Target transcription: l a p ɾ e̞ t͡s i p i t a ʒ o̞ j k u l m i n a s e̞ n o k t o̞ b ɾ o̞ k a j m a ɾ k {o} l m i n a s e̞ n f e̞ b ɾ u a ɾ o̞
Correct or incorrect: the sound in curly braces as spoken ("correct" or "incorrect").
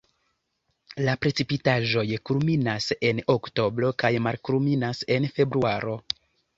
incorrect